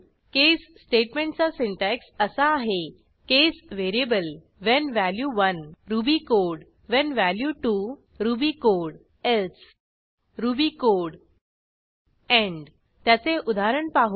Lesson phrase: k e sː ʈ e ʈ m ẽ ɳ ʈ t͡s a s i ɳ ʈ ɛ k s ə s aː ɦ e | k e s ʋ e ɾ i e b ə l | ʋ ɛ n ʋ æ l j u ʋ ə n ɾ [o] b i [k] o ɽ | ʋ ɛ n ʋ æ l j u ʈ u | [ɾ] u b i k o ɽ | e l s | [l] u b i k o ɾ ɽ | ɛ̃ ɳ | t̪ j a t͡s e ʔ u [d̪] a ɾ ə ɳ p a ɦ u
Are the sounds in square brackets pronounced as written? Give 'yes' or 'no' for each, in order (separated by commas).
no, yes, yes, no, yes